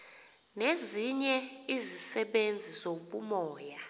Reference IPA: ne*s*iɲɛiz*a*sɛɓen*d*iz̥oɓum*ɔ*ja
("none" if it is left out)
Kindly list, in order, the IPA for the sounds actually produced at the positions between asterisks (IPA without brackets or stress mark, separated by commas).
z, i, d͡zʱ, ɔː